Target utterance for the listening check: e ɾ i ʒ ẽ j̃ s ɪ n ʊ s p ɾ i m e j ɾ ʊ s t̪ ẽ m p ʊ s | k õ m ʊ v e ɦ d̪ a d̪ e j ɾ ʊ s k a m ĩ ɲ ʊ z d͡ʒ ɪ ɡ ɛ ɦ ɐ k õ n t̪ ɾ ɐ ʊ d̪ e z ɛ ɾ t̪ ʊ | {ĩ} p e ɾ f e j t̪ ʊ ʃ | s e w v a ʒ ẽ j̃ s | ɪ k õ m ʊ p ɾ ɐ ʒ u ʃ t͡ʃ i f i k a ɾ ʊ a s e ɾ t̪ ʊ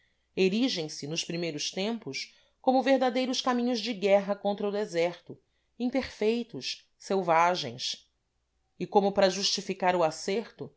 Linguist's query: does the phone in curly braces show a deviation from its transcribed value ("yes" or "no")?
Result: no